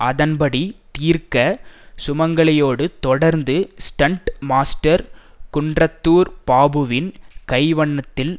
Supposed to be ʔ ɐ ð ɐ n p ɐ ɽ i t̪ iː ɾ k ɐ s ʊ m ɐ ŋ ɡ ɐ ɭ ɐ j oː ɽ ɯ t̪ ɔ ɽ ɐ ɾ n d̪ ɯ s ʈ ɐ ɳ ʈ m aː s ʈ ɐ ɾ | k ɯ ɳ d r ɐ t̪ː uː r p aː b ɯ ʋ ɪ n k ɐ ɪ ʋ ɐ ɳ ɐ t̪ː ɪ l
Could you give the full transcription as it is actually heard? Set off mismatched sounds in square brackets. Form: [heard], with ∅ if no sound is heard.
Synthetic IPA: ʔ ɐ ð ɐ n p ɐ ɽ i t̪ iː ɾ k ɐ s ʊ m ɐ ŋ ɡ ɐ ɭ ɐ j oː ɽ ɯ t̪ ɔ ɽ ɐ ɾ n d̪ ɯ s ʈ ɐ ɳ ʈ m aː s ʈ ɐ ɾ | k [ʊ] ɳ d r ɐ t̪ː uː [ɾ] p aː b ɯ ʋ ɪ n k ɐ ɪ ʋ ɐ [ɳː] ɐ t̪ː ɪ l

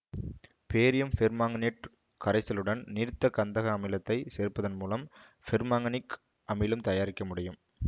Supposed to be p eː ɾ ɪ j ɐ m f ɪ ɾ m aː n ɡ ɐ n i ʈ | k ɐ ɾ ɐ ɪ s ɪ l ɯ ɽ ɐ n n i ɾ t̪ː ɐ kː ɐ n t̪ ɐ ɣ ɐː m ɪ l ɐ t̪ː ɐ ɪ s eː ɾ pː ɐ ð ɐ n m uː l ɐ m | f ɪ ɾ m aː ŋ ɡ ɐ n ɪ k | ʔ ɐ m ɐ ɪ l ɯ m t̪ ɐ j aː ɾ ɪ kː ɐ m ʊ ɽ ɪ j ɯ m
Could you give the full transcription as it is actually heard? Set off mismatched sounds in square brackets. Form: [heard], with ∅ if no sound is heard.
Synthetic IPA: p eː ɾ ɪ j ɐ m f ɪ ɾ m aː [ŋ] ɡ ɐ n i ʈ | k ɐ ɾ ɐ ɪ s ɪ l ɯ ɽ ɐ n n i ɾ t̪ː ɐ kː ɐ n [d̪] ɐ ɣ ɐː m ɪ l ɐ t̪ː ɐ ɪ s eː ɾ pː ɐ ð ɐ n m uː l ɐ m | f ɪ ɾ m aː ŋ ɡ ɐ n ɪ k | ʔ ɐ m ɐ ɪ l ɯ m t̪ ɐ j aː ɾ ɪ kː ɐ m ʊ ɽ ɪ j ɯ m

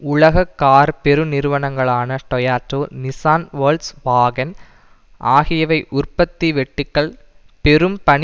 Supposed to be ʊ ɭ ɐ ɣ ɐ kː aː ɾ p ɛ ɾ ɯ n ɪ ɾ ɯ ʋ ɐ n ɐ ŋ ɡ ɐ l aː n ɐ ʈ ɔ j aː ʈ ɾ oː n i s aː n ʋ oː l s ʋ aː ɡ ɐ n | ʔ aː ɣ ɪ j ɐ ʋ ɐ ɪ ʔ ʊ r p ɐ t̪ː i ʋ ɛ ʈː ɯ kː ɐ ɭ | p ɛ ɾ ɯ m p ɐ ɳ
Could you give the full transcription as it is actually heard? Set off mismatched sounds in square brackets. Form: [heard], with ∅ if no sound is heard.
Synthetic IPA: ʊ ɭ ɐ ɣ ɐ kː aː ɾ p ɛ ɾ ɯ n ɪ ɾ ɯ ʋ ɐ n ɐ ŋ ɡ ɐ [ɭ] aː n ɐ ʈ ɔ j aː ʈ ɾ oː n [ɪ] s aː n ʋ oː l s ʋ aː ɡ ɐ n | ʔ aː ɣ ɪ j ɐ ʋ ɐ ɪ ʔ ʊ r p ɐ t̪ː i ʋ ɛ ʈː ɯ kː ɐ ɭ | p ɛ ɾ ɯ m p ɐ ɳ

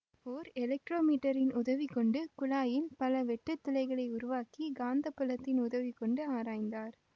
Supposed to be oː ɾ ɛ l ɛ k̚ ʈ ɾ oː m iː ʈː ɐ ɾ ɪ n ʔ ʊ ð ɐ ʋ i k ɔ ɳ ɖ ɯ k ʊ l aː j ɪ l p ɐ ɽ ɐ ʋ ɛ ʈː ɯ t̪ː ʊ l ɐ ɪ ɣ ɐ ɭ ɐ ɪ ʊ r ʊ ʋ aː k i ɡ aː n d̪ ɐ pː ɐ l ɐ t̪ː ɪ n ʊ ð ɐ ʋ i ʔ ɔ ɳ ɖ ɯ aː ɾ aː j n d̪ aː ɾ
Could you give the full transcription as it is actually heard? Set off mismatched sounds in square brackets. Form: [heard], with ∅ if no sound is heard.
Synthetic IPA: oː ɾ ɛ l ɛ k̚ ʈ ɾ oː m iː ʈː ɐ ɾ ɪ n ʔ ʊ ð ɐ ʋ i k ɔ ɳ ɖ ɯ k ʊ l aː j ɪ l p ɐ [l] ɐ ʋ ɛ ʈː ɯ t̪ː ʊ l ɐ ɪ ɣ ɐ ɭ ɐ ɪ ʊ [ɾ] ʊ ʋ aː k i ɡ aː n d̪ ɐ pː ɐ l ɐ t̪ː ɪ n ʊ ð ɐ ʋ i [k] ɔ ɳ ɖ ɯ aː ɾ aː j n d̪ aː ɾ

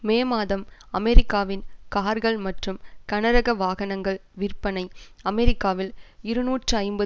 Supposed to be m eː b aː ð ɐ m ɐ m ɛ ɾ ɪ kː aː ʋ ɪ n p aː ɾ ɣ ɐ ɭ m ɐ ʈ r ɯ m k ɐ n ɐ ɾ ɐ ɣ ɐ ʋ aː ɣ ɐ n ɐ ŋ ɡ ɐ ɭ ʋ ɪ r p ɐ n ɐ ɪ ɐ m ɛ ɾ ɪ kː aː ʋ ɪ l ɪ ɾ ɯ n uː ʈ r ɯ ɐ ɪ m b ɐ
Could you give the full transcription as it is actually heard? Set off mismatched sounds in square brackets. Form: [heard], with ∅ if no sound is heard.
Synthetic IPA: m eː [m] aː ð ɐ m ɐ m ɛ ɾ ɪ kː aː ʋ ɪ n [k] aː ɾ ɣ ɐ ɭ m ɐ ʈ r ɯ m k ɐ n ɐ ɾ ɐ ɣ ɐ ʋ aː ɣ ɐ n ɐ ŋ ɡ ɐ ɭ ʋ ɪ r p ɐ n ɐ ɪ ɐ m ɛ ɾ ɪ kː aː ʋ ɪ l ɪ ɾ ɯ n uː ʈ r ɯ ɐ ɪ m b ɐ

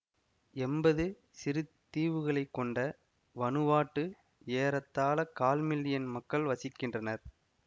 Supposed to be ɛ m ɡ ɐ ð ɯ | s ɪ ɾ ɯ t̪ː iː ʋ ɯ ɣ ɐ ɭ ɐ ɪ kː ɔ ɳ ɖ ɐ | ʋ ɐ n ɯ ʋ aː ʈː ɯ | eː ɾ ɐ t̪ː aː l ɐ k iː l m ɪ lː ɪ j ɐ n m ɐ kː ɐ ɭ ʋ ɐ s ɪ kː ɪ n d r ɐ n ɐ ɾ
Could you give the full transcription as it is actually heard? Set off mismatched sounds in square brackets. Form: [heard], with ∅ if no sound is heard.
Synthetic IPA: ɛ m [b] ɐ ð ɯ | s ɪ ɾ ɯ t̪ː iː ʋ ɯ ɣ ɐ ɭ ɐ ɪ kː ɔ ɳ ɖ ɐ | ʋ ɐ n ɯ ʋ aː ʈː ɯ | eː ɾ ɐ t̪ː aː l ɐ k [aː] l m ɪ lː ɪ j ɐ n m ɐ kː ɐ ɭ ʋ ɐ s ɪ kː ɪ n d r ɐ n ɐ ɾ

